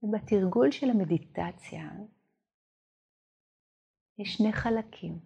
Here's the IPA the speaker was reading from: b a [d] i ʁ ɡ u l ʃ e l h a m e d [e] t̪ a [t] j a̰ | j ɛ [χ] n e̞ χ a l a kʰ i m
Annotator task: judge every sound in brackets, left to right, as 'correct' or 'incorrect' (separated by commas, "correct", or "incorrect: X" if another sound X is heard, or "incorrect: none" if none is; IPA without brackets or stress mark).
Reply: incorrect: t, incorrect: i, incorrect: t͡s, incorrect: ʃ